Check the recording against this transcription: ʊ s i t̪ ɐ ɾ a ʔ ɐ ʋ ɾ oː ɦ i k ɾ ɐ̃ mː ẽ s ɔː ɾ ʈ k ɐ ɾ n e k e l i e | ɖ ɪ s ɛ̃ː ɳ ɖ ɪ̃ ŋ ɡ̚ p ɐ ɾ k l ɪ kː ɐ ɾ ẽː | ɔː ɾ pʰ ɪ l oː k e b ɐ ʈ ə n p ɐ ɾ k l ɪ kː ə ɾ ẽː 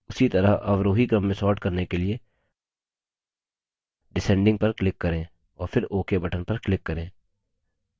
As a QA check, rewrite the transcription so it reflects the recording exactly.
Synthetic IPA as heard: ʊ s i t̪ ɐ ɾ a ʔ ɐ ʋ ɾ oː ɦ i k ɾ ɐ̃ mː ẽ s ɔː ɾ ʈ k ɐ ɾ n e k e l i e | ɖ ɪ s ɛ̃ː ɳ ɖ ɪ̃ ŋ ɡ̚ p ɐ ɾ k l ɪ kː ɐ ɾ ẽː | ɔː ɾ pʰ ɪ ɾ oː k e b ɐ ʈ ə n p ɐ ɾ k l ɪ kː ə ɾ ẽː